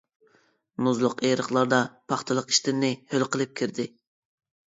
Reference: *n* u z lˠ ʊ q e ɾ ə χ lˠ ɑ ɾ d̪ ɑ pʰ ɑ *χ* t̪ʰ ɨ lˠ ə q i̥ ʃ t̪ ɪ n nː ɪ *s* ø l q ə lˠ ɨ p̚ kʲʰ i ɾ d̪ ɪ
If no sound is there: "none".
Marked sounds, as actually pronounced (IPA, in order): n, χ, h

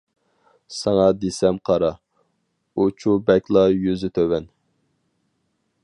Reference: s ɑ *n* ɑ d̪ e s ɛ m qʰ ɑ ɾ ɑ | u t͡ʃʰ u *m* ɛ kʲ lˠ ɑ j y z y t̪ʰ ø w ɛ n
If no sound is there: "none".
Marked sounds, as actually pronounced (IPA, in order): ŋ, b

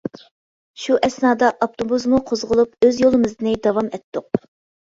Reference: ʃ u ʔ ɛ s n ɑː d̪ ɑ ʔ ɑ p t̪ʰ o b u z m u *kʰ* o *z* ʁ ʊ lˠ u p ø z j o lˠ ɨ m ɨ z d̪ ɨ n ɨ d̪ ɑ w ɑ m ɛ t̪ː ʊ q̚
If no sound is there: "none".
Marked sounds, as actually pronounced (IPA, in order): qʰ, z

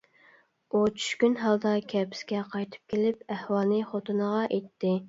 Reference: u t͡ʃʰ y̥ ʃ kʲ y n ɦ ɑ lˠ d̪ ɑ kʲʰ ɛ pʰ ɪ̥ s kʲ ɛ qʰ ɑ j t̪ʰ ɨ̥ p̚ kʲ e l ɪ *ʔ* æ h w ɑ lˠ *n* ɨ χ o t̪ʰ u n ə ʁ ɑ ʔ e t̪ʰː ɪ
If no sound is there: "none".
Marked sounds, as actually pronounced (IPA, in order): p, n

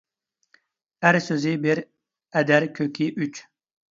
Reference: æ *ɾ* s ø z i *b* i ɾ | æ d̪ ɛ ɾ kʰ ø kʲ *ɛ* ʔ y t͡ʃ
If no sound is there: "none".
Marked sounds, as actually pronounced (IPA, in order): ɾ, b, i

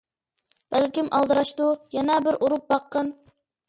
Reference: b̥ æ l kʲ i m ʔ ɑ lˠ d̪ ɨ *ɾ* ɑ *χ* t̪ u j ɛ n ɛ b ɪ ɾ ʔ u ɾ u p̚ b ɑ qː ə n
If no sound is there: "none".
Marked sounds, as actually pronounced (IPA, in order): ɾ, ʃ

